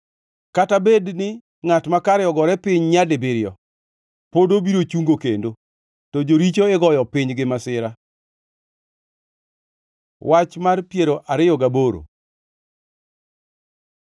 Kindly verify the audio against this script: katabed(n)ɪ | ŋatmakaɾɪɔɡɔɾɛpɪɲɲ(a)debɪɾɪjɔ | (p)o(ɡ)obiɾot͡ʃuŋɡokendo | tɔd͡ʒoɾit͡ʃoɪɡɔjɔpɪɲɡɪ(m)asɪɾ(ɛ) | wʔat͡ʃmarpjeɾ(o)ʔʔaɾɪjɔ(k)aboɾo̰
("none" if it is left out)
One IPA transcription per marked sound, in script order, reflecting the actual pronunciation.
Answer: n, a, p, d, m, a, o, ɡ

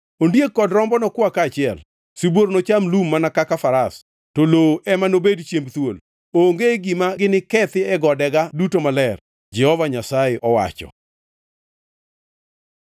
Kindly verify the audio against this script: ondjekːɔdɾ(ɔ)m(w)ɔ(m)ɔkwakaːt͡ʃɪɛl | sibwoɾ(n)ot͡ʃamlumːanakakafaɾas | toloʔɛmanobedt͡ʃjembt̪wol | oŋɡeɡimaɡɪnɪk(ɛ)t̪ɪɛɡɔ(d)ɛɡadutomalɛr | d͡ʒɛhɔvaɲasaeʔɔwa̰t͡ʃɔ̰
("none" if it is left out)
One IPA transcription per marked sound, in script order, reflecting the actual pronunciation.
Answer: ɔ, b, n, n, ɛ, d

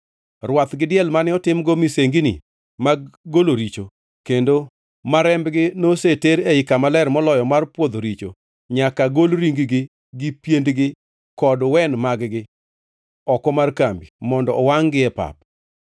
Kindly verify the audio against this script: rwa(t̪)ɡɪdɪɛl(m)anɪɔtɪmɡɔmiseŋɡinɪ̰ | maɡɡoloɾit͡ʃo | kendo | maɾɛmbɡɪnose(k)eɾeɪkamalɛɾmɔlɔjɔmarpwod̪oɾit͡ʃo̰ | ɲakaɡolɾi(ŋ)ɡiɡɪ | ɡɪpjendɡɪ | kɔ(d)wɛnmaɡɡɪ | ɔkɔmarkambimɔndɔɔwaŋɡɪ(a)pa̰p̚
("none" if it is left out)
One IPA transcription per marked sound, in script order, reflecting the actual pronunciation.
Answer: t̪, m, t, ŋ, d, ɛ

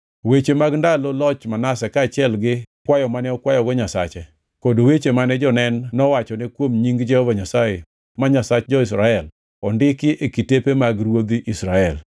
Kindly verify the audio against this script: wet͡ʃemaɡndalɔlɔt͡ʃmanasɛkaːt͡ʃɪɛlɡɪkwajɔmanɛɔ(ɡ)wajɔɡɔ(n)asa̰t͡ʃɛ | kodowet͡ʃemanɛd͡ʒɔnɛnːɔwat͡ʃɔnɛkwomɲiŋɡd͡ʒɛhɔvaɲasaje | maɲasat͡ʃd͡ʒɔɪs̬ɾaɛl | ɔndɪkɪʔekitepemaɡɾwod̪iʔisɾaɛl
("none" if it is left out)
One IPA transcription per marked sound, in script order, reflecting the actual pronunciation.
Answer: k, ɲ

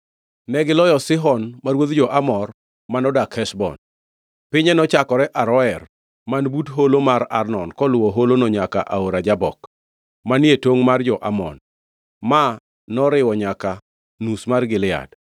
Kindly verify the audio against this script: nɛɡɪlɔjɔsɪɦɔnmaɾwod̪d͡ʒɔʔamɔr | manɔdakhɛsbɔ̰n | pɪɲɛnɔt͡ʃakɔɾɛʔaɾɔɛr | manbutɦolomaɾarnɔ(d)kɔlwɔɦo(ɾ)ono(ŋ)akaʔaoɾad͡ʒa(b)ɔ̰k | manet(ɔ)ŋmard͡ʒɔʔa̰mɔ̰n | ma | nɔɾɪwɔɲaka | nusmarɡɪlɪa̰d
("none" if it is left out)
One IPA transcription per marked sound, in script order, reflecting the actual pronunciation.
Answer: n, l, ɲ, b, o

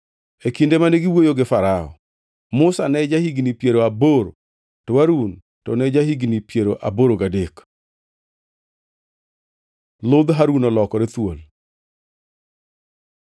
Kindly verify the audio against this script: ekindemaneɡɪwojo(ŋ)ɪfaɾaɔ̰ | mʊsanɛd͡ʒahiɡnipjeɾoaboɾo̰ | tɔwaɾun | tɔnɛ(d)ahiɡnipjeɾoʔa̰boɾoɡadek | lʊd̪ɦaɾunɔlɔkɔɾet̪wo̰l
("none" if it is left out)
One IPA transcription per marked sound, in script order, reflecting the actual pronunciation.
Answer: ɡ, d͡ʒ

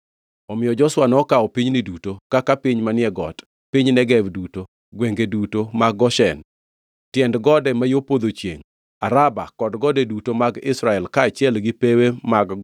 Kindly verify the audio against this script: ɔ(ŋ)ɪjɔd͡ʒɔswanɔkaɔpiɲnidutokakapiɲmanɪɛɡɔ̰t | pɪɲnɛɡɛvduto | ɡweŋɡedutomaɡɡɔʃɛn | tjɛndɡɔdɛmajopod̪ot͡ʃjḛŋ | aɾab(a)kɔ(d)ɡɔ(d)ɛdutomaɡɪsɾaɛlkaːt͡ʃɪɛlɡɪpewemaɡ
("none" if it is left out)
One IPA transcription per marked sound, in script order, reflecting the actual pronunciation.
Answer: m, a, d, d

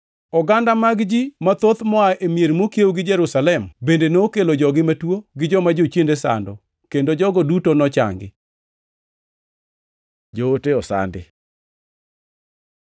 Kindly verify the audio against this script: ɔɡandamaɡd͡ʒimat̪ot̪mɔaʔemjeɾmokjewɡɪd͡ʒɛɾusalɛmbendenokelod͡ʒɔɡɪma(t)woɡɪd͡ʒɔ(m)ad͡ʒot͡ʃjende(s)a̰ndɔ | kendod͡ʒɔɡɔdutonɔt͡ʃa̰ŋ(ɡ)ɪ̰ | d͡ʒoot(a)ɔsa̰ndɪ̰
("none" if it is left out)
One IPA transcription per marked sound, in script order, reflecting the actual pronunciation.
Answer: t, m, s, ɡ, e

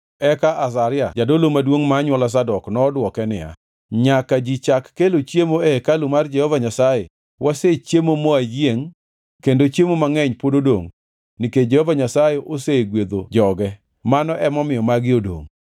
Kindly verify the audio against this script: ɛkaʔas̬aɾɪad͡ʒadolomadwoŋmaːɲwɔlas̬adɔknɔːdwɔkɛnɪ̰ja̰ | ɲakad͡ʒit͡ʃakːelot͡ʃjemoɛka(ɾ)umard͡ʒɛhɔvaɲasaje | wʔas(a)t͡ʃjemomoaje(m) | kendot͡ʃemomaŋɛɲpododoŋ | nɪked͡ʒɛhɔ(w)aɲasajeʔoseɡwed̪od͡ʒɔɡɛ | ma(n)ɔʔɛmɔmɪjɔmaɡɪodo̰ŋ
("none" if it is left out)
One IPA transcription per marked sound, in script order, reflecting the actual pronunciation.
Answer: l, e, ŋ, v, n

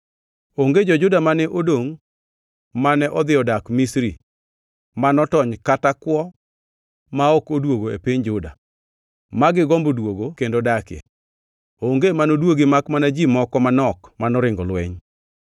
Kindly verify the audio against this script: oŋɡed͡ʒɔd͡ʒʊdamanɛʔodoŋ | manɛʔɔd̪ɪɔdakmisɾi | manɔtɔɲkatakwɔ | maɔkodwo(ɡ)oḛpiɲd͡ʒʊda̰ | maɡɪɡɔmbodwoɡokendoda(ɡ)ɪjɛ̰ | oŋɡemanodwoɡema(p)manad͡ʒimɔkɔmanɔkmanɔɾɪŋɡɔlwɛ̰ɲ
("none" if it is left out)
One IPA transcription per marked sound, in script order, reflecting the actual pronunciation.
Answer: ɡ, k, k

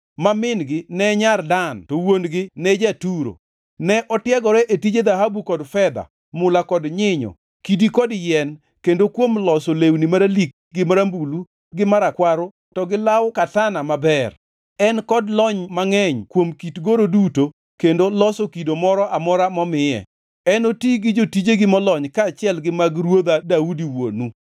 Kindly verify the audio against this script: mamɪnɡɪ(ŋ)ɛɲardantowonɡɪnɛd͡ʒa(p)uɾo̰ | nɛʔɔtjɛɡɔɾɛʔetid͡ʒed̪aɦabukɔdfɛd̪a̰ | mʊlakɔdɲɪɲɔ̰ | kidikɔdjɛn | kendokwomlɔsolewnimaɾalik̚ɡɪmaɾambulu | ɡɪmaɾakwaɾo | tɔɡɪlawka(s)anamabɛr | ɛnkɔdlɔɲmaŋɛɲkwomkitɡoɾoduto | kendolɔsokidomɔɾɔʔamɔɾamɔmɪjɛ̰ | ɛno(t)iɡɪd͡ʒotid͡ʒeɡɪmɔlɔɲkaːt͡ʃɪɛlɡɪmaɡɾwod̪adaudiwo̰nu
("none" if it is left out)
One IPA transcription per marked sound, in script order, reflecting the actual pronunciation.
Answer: n, t, t, t

